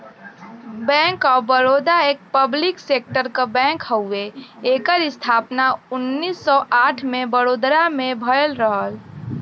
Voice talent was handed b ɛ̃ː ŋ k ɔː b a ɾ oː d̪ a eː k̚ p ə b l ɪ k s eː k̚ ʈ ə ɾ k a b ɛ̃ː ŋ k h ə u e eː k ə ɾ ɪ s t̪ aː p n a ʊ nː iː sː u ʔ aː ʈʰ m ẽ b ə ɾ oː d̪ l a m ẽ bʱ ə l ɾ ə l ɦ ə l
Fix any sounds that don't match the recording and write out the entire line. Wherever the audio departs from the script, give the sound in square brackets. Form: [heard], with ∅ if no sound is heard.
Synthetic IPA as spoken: b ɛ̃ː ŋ k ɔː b [ə] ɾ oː d̪ a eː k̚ p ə b l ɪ k s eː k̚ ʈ ə ɾ k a b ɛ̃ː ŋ k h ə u e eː k ə ɾ ɪ s [t̪ʰ] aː p n a ʊ nː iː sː [ɔ] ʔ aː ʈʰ m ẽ b ə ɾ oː d̪ [ɾ] a m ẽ bʱ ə l ɾ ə [∅] ɦ ə l